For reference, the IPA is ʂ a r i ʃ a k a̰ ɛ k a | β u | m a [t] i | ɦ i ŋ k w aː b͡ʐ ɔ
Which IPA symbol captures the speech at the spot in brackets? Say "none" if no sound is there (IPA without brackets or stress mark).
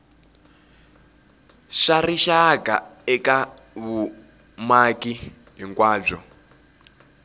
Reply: k